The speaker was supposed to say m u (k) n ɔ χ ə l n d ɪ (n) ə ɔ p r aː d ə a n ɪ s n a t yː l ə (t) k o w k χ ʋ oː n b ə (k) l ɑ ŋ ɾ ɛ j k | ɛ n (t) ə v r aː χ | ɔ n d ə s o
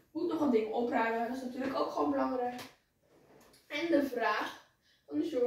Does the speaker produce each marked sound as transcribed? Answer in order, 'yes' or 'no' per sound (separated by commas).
no, no, no, no, no